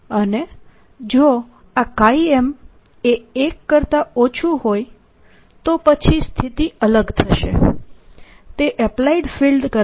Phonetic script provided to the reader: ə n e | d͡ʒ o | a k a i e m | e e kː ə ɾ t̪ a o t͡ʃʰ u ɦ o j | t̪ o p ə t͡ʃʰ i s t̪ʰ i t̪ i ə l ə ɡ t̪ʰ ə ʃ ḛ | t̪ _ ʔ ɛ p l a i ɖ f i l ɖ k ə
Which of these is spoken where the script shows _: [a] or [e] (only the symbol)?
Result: e